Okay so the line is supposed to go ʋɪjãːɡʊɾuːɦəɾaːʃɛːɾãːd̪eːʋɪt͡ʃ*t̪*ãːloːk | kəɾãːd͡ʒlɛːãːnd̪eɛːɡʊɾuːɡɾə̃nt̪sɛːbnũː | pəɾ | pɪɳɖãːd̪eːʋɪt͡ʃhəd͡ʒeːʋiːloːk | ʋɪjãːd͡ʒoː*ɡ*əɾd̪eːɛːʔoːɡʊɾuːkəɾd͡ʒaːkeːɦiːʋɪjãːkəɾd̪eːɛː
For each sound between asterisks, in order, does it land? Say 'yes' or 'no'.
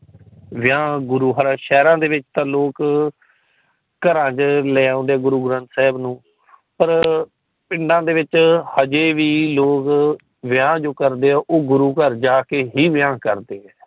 yes, no

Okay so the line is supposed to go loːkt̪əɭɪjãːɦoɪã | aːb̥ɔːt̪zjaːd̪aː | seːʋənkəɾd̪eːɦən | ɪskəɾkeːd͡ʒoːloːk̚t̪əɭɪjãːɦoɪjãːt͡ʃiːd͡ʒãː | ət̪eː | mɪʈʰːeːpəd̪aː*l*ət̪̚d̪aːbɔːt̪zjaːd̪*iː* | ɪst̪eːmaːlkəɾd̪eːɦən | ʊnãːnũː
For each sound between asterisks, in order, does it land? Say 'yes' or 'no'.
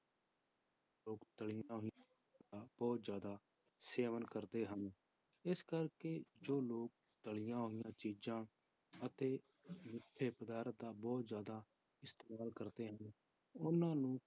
no, no

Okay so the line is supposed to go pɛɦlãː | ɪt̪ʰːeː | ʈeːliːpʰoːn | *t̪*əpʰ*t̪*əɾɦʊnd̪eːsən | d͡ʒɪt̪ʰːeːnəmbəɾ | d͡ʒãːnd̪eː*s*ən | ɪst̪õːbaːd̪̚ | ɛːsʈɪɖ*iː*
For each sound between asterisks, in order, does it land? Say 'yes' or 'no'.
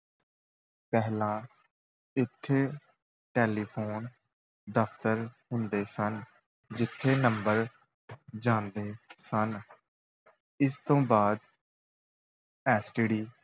no, yes, yes, yes

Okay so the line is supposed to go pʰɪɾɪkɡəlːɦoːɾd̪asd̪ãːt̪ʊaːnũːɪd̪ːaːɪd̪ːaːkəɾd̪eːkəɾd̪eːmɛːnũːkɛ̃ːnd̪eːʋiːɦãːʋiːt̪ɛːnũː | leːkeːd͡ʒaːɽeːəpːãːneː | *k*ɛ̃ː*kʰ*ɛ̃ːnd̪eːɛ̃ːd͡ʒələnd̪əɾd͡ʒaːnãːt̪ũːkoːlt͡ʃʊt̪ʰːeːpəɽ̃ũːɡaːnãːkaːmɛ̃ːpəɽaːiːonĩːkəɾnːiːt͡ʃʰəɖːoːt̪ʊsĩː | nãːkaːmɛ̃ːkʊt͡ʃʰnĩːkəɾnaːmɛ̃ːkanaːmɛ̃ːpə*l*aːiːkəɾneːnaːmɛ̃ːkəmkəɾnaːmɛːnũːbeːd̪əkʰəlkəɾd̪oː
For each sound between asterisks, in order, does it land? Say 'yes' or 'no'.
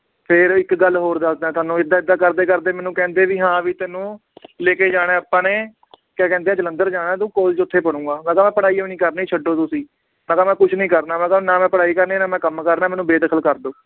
yes, no, no

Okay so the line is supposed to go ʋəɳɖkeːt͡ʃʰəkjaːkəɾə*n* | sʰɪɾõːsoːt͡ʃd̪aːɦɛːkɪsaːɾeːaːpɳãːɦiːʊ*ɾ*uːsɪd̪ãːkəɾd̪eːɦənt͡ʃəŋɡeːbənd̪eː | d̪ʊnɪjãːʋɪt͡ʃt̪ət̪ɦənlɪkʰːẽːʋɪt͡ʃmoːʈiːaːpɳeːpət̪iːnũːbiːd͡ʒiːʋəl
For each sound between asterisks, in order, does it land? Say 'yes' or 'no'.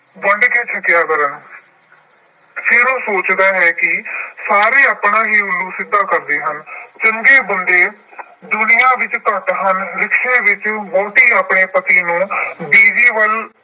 yes, no

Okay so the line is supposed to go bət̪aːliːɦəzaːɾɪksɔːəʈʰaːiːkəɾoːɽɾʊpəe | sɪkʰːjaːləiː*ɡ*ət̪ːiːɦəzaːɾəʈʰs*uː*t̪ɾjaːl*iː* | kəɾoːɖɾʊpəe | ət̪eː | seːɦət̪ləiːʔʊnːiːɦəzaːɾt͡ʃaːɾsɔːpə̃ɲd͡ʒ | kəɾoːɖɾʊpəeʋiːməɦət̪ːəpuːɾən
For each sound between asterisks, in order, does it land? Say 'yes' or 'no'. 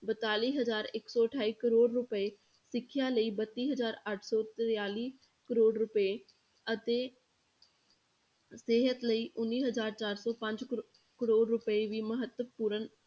no, no, yes

